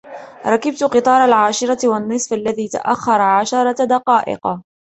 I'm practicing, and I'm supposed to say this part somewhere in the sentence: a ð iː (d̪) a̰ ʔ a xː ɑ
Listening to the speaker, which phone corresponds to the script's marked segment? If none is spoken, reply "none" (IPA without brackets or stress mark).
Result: t̪